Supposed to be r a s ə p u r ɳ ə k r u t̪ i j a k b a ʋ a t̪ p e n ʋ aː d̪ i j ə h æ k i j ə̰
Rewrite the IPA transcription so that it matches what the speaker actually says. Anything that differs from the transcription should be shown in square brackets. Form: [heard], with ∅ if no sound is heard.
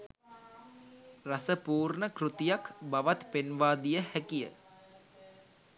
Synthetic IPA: r a s ə p [uː] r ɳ ə k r u t̪ i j a k b a ʋ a t̪ p e n ʋ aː d̪ i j ə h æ k i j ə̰

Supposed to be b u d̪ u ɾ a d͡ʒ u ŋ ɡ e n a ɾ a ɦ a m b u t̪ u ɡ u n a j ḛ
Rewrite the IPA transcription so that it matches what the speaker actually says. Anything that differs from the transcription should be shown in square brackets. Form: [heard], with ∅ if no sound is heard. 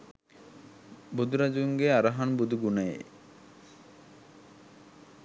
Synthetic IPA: b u d̪ u ɾ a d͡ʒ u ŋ ɡ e [∅] a ɾ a ɦ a [n] b u [d̪] u ɡ u n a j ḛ

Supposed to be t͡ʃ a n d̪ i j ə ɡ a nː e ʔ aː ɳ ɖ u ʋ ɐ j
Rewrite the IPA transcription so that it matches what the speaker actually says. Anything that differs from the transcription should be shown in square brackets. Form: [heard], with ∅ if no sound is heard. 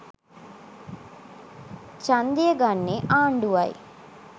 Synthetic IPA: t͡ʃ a n d̪ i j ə ɡ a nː e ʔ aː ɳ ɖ u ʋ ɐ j

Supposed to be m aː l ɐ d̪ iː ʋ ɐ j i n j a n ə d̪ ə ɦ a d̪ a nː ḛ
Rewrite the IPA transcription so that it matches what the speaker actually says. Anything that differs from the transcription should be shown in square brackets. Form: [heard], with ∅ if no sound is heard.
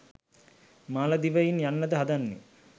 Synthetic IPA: m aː l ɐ d̪ [i] ʋ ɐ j i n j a [nː] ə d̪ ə ɦ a d̪ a nː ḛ

